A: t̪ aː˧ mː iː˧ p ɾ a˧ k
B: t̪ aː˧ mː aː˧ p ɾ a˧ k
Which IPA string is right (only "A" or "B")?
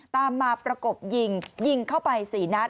B